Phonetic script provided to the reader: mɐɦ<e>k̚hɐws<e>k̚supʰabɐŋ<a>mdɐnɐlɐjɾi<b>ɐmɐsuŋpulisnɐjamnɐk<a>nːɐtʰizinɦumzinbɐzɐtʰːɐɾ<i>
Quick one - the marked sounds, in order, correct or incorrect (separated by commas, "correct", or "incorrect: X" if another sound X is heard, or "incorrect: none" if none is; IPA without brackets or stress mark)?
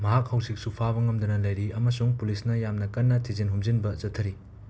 incorrect: a, incorrect: i, incorrect: ɐ, incorrect: none, incorrect: ɐ, correct